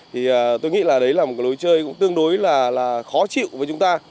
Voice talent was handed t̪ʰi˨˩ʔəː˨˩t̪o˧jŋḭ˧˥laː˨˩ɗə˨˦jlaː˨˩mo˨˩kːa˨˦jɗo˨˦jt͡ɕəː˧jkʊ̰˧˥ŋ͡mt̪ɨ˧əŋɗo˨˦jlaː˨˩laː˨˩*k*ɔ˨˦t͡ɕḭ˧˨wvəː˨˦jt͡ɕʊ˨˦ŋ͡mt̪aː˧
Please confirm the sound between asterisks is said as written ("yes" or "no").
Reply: no